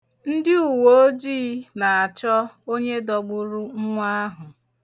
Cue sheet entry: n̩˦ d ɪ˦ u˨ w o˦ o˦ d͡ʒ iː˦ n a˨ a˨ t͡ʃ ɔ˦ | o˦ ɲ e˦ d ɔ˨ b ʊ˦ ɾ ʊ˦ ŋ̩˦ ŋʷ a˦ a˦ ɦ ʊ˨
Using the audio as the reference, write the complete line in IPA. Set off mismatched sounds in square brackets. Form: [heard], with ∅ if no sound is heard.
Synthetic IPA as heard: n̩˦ d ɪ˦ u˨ w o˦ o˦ d͡ʒ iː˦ n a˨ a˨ t͡ʃ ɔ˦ | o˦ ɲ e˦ d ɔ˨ [ɡ͡b] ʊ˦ ɾ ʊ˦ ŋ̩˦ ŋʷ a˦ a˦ ɦ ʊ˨